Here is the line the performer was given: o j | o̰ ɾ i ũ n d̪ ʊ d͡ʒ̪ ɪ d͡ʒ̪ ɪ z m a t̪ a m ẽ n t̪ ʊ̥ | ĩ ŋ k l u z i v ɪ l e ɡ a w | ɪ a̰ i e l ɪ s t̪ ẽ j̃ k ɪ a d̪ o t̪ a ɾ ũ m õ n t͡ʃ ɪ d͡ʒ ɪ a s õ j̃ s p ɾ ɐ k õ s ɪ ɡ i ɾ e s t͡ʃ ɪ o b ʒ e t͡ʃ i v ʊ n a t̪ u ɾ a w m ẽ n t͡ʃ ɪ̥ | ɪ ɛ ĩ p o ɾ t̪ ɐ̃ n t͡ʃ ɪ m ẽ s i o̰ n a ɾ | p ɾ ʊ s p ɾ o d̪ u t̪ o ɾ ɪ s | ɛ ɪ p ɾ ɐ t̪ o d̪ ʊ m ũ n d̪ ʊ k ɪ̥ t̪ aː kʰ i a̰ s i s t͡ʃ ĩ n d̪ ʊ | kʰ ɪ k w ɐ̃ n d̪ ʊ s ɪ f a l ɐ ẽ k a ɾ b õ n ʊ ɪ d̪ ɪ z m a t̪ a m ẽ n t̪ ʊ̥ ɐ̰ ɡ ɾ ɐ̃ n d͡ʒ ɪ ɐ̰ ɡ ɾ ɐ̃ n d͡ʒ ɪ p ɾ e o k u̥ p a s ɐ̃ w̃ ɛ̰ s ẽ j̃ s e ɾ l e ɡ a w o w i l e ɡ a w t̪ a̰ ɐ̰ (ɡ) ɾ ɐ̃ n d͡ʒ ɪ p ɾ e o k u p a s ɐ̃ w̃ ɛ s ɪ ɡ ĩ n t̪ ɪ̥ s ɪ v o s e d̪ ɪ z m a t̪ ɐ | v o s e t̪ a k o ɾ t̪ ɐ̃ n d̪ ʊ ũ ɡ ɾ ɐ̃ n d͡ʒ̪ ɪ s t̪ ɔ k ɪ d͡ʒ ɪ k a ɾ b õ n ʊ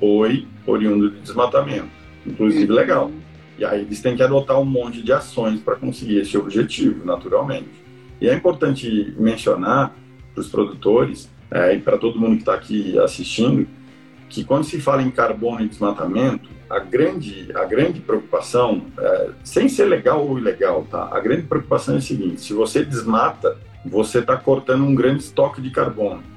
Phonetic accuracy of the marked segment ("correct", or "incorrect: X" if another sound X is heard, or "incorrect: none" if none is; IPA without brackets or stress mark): correct